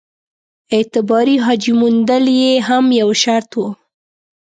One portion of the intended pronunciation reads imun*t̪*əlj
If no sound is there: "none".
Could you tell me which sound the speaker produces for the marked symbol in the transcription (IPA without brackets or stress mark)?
d̪